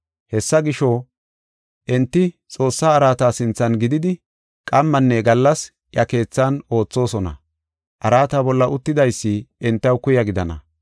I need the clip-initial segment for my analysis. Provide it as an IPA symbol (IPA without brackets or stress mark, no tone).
h